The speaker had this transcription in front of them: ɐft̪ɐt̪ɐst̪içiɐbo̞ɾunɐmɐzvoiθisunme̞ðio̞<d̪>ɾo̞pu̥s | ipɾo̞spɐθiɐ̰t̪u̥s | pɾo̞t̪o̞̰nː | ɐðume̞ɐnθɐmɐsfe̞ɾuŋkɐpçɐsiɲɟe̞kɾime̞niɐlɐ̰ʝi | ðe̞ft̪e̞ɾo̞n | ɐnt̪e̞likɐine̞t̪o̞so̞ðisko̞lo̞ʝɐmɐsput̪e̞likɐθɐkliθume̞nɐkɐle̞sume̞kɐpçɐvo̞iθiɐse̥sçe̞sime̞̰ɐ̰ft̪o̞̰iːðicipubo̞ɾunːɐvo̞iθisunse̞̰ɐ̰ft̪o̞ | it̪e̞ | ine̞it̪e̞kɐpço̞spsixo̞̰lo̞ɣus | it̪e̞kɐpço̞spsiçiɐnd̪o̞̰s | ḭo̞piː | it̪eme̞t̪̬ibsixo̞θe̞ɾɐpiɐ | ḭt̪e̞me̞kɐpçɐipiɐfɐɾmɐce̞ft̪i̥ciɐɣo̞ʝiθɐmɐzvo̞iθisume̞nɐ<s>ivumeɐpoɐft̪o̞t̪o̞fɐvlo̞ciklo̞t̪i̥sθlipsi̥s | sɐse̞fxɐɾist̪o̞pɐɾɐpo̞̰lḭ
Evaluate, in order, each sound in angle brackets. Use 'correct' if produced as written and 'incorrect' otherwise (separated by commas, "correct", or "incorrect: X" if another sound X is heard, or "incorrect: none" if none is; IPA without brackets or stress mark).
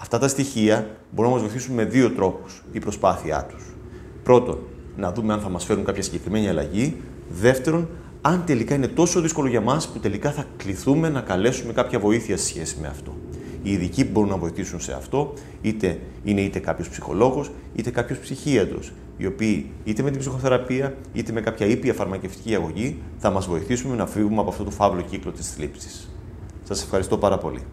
incorrect: t̪, incorrect: f